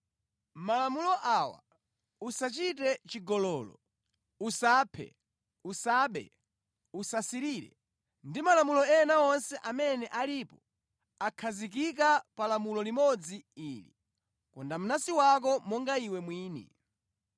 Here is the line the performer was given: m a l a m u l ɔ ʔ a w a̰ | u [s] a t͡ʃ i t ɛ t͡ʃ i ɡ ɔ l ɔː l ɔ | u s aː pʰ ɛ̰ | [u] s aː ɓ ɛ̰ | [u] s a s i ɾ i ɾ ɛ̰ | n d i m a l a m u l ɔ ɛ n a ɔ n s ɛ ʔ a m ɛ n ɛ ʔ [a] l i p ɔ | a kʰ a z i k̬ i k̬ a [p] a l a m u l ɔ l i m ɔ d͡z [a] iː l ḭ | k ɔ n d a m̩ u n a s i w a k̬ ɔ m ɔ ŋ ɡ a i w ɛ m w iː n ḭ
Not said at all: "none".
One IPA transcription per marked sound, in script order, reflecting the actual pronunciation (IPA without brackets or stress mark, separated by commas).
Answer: s, u, u, a, p, i